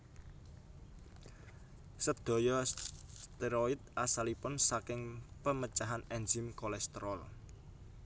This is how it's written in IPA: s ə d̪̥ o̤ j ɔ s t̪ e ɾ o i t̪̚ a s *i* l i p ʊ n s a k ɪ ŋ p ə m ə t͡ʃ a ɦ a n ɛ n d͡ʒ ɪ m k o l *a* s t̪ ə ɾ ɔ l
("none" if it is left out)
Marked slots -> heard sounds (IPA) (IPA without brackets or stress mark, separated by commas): a, ɛ